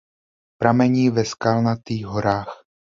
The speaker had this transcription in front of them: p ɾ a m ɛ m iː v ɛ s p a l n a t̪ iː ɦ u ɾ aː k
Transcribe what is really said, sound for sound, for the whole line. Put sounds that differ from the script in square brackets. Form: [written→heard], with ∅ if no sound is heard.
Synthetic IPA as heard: p ɾ a m ɛ [m→ɲ] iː v ɛ s [p→k] a l n a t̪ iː ɦ [u→o] ɾ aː [k→x]